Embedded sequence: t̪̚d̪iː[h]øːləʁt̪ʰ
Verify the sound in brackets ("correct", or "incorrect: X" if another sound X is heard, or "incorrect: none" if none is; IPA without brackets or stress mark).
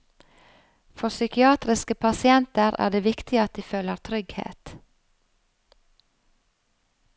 incorrect: f